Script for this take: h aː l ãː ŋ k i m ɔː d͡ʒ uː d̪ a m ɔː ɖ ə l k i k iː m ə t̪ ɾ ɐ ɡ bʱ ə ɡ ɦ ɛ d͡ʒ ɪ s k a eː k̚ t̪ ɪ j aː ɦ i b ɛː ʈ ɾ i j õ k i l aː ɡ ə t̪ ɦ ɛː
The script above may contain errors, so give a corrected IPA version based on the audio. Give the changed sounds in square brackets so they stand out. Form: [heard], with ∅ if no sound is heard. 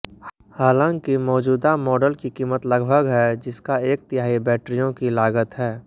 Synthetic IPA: h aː l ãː ŋ k i m ɔː d͡ʒ uː d̪ a m ɔː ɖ ə l k i k iː m ə t̪ [l] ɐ ɡ bʱ ə ɡ ɦ ɛ d͡ʒ ɪ s k a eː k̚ t̪ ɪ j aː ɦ i b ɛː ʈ ɾ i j õ k i l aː ɡ ə t̪ ɦ ɛː